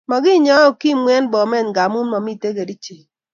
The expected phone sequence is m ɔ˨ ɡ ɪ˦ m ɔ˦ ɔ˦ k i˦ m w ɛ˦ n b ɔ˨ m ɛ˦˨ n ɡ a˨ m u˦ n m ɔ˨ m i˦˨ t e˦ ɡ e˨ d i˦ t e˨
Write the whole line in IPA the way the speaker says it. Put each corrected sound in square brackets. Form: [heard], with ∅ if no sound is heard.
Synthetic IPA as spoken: m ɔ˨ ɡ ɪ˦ [ɲ] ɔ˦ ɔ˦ k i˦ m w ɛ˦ n b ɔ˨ m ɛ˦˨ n ɡ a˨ m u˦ n m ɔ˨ m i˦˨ t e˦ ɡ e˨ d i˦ [t͡ʃ] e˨